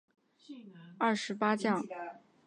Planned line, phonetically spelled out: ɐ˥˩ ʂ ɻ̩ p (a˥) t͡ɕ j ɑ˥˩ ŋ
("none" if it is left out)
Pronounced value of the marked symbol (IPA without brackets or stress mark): a˥